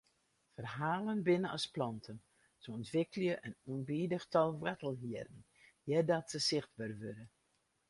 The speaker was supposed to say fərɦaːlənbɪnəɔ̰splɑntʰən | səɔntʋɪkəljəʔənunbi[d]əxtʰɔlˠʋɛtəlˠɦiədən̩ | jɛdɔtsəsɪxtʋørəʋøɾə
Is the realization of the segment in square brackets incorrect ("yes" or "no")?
no